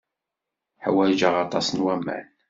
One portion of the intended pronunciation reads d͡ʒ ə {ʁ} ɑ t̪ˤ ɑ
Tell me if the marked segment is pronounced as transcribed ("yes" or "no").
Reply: yes